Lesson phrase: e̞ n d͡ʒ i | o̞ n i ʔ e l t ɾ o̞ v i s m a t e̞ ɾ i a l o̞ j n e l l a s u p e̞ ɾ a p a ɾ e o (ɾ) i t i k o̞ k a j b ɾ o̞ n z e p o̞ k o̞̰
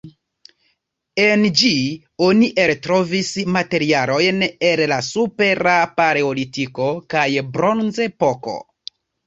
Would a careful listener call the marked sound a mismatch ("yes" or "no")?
yes